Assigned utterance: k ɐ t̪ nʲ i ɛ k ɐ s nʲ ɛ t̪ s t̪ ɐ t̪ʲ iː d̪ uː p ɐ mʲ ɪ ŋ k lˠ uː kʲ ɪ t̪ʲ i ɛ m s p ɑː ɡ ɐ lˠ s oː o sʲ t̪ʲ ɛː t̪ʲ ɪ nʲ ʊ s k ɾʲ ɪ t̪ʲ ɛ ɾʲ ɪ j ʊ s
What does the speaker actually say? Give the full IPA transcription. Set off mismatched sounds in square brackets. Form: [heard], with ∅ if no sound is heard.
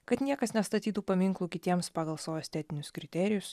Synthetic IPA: k ɐ t̪ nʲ i ɛ k ɐ s nʲ ɛ [∅] s t̪ ɐ t̪ʲ iː [t̪] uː p ɐ mʲ ɪ ŋ k lˠ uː kʲ ɪ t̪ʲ i ɛ m s p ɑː ɡ ɐ lˠ s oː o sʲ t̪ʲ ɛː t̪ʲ ɪ nʲ ʊ s k ɾʲ ɪ t̪ʲ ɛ ɾʲ ɪ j ʊ s